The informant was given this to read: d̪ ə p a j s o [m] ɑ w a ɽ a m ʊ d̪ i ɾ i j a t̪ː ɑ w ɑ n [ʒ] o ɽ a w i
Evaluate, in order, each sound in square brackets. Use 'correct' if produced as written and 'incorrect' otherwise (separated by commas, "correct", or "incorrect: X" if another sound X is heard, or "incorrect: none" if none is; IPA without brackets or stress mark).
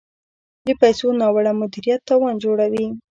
incorrect: n, incorrect: d͡ʒ